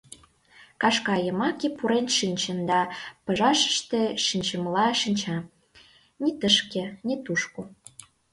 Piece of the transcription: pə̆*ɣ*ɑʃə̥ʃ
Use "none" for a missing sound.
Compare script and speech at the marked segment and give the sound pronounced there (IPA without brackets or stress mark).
ʒ